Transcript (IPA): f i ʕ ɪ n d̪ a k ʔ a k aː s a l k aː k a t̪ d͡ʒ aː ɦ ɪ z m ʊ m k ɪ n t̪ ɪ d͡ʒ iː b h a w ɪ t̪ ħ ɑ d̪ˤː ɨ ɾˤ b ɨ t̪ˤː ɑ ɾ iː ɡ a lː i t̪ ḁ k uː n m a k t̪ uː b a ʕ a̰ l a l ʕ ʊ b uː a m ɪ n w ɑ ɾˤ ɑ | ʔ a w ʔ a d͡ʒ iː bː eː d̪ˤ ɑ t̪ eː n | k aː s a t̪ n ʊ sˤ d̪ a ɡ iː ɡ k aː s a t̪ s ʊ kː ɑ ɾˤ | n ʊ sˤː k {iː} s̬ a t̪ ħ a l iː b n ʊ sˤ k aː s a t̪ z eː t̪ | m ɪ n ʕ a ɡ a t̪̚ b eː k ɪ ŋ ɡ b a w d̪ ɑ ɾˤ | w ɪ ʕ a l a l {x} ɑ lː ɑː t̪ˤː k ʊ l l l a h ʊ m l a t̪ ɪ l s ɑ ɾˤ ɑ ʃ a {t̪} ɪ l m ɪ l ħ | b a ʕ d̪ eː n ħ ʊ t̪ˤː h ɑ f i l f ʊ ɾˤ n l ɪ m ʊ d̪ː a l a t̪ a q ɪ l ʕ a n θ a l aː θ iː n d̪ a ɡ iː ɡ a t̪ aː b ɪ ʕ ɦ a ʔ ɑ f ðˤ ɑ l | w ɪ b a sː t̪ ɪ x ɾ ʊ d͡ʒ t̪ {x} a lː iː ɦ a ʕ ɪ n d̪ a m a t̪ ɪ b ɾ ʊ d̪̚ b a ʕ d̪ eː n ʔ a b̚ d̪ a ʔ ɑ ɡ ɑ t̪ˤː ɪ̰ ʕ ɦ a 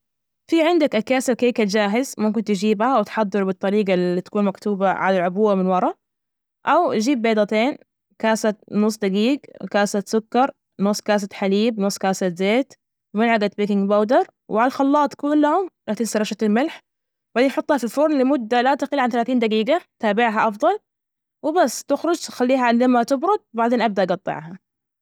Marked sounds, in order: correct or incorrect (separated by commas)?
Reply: incorrect, correct, correct, correct